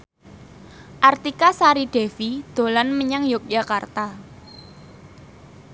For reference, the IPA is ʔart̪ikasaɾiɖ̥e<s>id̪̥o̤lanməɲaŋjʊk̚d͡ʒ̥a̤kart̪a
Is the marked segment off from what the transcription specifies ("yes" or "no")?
yes